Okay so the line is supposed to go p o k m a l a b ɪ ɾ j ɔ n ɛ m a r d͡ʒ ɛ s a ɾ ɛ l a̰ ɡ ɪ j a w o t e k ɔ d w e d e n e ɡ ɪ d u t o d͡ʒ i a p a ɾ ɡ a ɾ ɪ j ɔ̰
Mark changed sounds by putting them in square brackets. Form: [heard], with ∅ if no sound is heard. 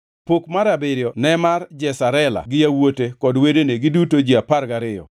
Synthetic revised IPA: p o k m a [ɾ] a b ɪ ɾ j ɔ n ɛ m a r d͡ʒ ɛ s a ɾ ɛ l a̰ ɡ ɪ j a w o t e k ɔ d w e d e n e ɡ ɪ d u t o d͡ʒ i a p a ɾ ɡ a ɾ ɪ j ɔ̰